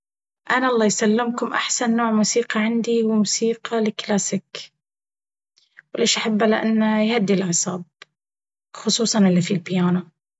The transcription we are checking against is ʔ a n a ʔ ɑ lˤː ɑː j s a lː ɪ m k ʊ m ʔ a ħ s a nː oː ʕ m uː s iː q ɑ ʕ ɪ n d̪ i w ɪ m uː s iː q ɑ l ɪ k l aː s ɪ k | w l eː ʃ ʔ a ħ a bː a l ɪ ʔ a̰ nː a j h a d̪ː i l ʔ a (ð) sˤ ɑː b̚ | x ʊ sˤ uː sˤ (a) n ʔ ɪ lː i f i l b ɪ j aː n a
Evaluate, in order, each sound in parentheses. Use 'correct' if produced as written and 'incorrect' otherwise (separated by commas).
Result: incorrect, incorrect